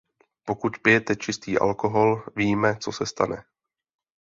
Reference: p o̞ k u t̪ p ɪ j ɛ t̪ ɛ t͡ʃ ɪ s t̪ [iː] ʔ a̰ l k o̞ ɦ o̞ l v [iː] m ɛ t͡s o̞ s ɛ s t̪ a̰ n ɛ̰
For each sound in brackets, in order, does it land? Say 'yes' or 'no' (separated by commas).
yes, yes